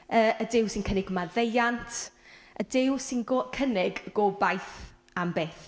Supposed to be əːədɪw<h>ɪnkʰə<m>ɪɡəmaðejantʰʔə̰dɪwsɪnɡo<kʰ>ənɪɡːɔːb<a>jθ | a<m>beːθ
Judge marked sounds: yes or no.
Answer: no, no, yes, yes, yes

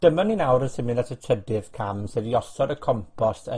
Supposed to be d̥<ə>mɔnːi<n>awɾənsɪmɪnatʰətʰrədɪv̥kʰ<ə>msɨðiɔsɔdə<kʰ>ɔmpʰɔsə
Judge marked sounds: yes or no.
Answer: yes, yes, no, yes

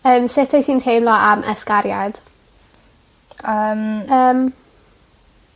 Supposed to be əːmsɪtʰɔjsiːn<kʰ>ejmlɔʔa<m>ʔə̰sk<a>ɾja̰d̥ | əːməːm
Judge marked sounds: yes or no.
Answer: no, yes, yes

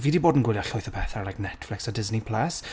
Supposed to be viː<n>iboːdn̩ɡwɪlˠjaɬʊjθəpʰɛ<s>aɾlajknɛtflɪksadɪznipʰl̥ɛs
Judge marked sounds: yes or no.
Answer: no, no

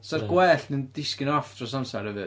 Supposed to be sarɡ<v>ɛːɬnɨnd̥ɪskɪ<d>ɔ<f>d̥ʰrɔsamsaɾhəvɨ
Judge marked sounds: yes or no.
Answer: no, no, yes

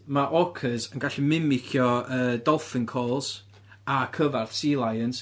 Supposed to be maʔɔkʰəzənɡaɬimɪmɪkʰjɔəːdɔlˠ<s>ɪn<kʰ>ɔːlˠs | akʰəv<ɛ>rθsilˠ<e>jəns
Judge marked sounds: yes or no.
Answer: no, yes, no, no

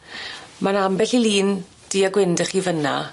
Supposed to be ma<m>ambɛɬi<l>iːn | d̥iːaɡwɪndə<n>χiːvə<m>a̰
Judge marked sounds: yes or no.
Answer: no, yes, no, no

